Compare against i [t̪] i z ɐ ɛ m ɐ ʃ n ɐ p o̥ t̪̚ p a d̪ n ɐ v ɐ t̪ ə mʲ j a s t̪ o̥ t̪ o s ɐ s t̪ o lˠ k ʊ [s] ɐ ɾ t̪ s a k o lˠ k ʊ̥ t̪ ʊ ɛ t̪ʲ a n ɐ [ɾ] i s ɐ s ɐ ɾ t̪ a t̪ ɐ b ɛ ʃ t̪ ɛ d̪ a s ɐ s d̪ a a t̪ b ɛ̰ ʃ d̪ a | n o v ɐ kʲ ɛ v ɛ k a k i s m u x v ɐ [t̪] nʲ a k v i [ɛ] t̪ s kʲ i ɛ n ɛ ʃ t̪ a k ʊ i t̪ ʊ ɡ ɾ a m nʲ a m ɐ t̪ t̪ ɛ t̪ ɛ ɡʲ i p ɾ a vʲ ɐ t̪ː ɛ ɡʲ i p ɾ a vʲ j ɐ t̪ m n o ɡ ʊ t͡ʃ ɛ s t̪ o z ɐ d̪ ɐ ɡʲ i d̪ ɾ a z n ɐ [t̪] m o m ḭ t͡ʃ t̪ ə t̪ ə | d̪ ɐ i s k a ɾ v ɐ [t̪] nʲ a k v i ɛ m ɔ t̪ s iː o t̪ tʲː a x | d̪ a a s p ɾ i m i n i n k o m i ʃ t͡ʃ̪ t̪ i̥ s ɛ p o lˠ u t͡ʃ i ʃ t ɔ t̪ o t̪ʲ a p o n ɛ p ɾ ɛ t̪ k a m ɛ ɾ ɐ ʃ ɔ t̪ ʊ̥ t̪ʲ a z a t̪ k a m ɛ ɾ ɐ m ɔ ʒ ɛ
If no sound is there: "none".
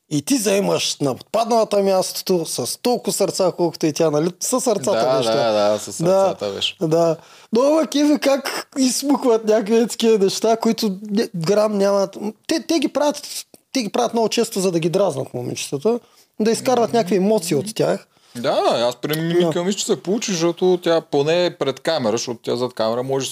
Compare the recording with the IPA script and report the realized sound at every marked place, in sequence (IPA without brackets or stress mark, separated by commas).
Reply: t̪, s, l, t̪, ɛ, t̪, t̪